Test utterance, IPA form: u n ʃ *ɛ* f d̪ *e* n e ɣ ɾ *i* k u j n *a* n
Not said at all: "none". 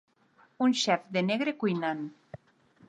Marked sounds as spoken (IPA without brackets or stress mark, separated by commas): ɛ, e, e, a